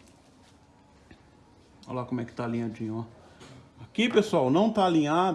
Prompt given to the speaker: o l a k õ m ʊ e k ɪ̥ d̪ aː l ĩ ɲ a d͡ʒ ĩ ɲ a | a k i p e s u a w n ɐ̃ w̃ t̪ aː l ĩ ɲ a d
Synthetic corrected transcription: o l a k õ m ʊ ɛ k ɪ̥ t̪ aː l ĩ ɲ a d͡ʒ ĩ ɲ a | a k i p e s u a w n ɐ̃ w̃ t̪ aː l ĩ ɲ a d

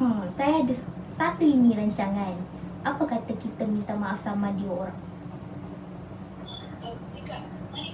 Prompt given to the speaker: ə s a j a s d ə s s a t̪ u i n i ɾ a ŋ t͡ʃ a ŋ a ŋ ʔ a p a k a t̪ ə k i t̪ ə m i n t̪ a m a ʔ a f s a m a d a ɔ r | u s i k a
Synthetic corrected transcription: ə s a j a d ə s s a t̪ u i n i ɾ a ɲ t͡ʃ a ŋ a n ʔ a p a k a t̪ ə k i t̪ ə m i n t̪ a m a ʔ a f s a m a d i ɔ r | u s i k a

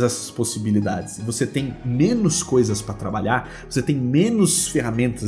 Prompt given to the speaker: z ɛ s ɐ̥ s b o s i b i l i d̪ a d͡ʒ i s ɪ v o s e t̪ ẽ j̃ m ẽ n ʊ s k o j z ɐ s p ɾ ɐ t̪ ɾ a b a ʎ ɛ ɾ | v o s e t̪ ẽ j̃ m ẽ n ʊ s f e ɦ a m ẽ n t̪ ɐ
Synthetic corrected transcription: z ɛ s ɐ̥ s p o s i b i l i d̪ a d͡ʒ ɪ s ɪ v o s e t̪ ẽ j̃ m ẽ n ʊ s k o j z ɐ s p ɾ ɐ t̪ ɾ a b a ʎ a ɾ | v o s e t̪ ẽ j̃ m ẽ n ʊ s f e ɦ a m ẽ n t̪ ɐ

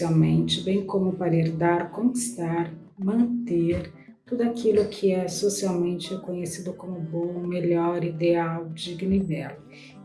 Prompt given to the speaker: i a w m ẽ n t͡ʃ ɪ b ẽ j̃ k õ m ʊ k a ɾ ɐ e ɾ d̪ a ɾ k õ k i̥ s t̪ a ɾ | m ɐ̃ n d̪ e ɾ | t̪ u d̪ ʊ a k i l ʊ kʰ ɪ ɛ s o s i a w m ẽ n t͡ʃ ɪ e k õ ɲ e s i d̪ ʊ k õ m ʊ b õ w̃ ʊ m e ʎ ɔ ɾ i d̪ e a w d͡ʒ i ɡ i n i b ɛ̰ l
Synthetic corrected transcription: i a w m ẽ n t͡ʃ ɪ b ẽ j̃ k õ m ʊ p a ɾ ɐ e ɾ d̪ a ɾ k õ k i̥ s t̪ a ɾ | m ɐ̃ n t̪ e ɾ | t̪ u d̪ ʊ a k i l ʊ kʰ ɪ ɛ s o s i a w m ẽ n t͡ʃ ɪ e k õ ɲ e s i d̪ ʊ k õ m ʊ b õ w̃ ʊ m e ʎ ɔ ɾ i d̪ e a w d͡ʒ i ɡ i n i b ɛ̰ l

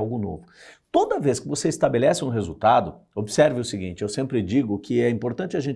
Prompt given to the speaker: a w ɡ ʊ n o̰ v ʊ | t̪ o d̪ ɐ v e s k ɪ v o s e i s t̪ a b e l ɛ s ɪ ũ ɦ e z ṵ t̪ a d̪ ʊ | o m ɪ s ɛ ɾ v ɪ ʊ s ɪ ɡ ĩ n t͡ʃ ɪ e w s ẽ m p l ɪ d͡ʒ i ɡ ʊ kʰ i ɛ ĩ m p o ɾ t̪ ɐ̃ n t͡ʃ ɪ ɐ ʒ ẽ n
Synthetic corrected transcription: a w ɡ ʊ n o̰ v ʊ | t̪ o d̪ ɐ v e s k ɪ v o s e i s t̪ a b e l ɛ s ɪ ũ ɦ e z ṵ t̪ a d̪ ʊ | o b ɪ s ɛ ɾ v ɪ ʊ s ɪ ɡ ĩ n t͡ʃ ɪ e w s ẽ m p ɾ ɪ d͡ʒ i ɡ ʊ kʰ ɪ ɛ ĩ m p o ɾ t̪ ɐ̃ n t͡ʃ ɪ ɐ ʒ ẽ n

